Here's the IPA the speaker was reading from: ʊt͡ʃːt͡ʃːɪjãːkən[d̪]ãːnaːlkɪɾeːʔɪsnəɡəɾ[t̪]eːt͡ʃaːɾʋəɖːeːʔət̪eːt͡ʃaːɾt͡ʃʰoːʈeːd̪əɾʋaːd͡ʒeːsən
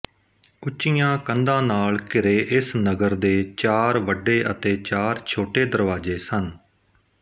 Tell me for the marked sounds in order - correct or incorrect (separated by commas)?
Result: correct, incorrect